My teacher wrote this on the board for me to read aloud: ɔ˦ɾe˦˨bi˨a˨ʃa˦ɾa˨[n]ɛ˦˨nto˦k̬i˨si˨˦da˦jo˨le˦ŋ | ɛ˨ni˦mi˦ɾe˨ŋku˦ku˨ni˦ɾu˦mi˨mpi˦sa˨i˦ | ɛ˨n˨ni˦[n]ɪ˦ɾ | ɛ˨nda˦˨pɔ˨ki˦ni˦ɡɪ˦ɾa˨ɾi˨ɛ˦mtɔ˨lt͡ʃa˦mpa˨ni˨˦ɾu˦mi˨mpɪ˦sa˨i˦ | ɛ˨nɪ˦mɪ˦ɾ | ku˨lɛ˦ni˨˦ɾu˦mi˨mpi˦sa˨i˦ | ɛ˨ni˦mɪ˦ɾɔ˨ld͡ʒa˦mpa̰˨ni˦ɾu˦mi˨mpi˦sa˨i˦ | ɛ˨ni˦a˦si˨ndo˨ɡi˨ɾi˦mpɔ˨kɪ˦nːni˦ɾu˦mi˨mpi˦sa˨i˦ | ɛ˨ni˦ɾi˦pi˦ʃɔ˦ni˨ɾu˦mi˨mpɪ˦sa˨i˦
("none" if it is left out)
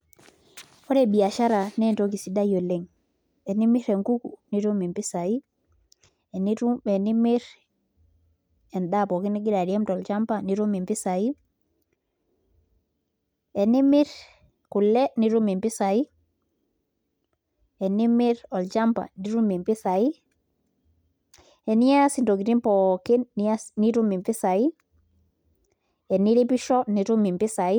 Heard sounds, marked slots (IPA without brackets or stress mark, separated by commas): n, m